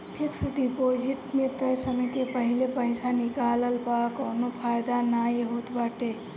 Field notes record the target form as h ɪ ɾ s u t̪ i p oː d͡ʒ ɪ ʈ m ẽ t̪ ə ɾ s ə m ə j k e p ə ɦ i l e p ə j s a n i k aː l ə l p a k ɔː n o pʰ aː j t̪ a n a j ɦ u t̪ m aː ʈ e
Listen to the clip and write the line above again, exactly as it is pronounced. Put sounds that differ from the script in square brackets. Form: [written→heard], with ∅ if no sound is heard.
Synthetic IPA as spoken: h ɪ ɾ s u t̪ i p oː d͡ʒ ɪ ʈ m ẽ t̪ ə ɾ s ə m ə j k e p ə ɦ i l e p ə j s a n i k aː l ə l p a k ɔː n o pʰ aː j [t̪→d̪] a n a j ɦ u t̪ [m→b] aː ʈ e